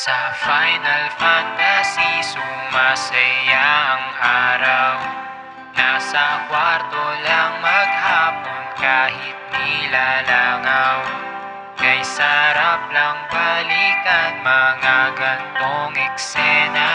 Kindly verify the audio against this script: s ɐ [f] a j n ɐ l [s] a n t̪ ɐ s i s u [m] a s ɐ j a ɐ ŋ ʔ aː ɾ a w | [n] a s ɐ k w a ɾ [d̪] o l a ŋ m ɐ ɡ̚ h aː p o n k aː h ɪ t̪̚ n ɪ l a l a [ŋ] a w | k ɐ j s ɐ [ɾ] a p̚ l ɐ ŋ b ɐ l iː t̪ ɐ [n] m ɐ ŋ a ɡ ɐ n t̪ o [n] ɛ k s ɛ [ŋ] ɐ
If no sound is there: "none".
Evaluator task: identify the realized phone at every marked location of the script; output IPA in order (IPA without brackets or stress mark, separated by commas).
f, f, m, n, t̪, ŋ, ɾ, n, ŋ, n